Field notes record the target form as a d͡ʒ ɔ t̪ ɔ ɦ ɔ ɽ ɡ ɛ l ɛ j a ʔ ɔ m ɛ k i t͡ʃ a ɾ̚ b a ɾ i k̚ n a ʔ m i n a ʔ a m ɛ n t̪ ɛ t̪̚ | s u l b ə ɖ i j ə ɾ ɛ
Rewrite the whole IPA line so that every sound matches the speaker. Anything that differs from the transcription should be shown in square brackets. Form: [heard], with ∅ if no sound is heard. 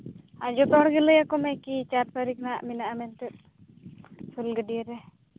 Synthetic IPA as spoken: a d͡ʒ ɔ t̪ ɔ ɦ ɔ ɽ ɡ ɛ l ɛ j a [k] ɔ m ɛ k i t͡ʃ a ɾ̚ [p] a ɾ i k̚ n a ʔ m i n a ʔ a m ɛ n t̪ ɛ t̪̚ | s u l [ɡ] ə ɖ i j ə ɾ ɛ